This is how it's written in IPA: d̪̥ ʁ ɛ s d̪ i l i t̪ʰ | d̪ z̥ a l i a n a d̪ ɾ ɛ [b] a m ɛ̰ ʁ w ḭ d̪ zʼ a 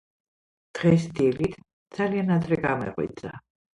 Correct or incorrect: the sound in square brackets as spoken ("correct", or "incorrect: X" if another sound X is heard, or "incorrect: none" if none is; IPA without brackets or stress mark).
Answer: incorrect: ɡ